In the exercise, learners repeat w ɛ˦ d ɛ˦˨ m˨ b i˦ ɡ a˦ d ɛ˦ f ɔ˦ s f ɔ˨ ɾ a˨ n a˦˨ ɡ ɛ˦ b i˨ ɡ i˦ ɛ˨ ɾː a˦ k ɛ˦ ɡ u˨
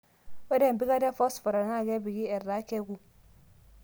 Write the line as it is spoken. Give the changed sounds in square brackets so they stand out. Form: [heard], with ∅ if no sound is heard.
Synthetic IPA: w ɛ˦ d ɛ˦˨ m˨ b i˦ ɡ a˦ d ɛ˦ f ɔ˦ s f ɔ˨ ɾ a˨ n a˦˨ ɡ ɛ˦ b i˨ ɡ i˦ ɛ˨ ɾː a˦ k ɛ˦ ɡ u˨